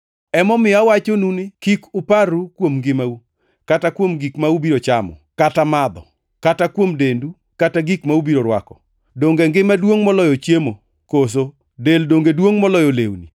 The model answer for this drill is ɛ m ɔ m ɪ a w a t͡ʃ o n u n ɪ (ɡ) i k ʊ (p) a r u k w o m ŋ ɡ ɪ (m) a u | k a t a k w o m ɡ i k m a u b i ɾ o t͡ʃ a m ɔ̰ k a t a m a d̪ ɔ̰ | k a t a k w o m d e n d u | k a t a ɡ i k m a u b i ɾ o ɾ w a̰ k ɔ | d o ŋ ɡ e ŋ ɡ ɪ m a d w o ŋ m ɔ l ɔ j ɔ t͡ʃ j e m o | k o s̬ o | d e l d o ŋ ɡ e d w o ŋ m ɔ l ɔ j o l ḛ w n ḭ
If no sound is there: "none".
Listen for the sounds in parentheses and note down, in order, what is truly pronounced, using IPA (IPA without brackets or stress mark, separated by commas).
k, p, m